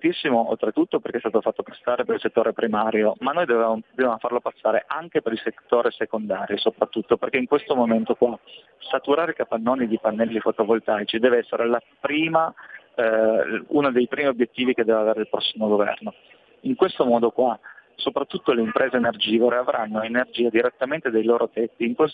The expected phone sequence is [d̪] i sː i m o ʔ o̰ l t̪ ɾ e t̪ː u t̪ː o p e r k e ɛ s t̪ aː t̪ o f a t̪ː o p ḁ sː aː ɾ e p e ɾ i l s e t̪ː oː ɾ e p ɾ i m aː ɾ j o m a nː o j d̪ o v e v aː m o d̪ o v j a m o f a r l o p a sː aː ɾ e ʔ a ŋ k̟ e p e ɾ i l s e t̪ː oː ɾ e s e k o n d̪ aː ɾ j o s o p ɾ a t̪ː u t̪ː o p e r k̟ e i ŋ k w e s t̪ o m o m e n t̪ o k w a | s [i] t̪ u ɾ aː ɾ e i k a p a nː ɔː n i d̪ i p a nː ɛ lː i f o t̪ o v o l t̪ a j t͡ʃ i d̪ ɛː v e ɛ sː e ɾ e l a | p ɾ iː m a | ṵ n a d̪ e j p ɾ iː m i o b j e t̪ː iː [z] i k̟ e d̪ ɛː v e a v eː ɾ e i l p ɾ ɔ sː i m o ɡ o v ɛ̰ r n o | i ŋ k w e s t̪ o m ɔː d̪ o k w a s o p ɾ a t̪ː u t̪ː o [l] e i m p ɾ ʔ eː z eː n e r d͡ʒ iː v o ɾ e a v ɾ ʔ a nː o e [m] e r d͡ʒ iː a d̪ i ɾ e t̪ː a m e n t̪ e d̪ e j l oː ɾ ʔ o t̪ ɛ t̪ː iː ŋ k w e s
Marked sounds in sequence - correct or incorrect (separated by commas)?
incorrect, incorrect, incorrect, correct, incorrect